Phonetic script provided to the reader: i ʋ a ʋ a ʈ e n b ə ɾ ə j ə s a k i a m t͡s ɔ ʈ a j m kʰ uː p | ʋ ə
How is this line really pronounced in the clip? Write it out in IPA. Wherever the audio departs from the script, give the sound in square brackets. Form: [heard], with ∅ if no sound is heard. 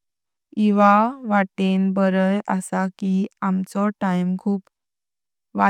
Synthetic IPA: i ʋ a ʋ a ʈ e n b ə ɾ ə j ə s a k i a m t͡s ɔ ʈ a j m kʰ uː p | ʋ [a]